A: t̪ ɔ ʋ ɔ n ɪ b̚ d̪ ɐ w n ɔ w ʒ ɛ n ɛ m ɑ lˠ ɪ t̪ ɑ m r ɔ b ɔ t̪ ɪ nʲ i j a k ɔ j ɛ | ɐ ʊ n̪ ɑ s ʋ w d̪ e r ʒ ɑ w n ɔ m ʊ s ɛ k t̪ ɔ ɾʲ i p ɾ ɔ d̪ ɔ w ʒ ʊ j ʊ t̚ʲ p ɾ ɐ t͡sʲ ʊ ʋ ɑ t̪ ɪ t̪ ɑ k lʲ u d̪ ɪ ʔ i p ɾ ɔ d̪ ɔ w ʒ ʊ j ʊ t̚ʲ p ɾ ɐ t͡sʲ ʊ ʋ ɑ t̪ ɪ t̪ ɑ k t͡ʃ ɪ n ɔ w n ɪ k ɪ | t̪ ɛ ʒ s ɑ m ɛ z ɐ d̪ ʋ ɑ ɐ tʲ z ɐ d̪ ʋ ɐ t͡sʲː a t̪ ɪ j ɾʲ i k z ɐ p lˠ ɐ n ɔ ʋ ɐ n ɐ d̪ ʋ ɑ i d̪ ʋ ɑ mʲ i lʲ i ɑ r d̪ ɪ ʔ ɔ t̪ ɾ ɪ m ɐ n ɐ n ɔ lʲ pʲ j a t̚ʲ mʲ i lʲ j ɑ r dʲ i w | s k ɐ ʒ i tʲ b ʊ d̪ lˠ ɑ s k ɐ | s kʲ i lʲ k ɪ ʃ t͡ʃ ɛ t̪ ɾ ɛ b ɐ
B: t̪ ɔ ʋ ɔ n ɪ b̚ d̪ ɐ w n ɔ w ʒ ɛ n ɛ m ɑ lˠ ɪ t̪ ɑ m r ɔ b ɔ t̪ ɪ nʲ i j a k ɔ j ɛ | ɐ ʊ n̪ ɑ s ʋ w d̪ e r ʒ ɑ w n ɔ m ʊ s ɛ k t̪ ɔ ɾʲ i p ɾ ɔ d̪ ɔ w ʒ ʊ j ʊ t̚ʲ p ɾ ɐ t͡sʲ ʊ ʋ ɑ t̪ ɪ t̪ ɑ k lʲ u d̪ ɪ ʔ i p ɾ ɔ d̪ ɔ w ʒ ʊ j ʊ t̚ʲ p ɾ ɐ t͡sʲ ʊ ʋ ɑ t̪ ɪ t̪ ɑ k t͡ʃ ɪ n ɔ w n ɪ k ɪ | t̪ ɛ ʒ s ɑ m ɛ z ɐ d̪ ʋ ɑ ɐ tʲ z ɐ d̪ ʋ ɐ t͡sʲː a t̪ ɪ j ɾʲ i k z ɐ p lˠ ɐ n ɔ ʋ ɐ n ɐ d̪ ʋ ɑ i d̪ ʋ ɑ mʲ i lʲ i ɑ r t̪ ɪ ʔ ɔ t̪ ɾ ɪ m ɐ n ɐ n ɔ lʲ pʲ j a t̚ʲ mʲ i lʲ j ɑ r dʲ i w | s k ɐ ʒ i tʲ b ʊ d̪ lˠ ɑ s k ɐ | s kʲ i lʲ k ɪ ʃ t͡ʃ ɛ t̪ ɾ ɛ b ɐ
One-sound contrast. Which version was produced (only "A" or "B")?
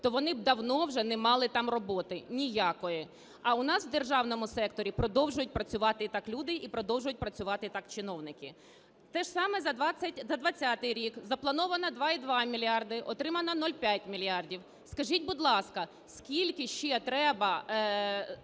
A